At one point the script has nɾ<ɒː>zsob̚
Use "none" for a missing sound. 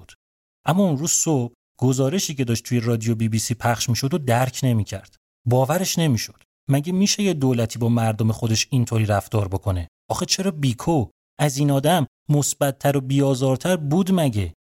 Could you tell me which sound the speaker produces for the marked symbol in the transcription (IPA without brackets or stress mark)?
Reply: uː